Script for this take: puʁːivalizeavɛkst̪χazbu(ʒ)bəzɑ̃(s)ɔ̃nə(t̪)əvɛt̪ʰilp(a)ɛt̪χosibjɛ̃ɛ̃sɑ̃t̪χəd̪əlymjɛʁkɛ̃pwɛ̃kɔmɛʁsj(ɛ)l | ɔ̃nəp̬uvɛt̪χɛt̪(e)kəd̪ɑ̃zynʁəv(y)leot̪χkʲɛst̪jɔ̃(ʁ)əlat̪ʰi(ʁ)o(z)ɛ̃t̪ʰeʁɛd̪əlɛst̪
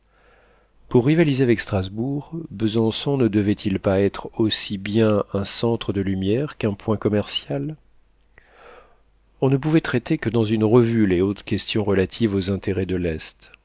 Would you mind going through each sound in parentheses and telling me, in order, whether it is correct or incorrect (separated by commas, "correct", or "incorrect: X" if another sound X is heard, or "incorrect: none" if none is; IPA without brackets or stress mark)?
incorrect: ʁ, correct, incorrect: d̪, correct, incorrect: a, correct, correct, correct, incorrect: v, correct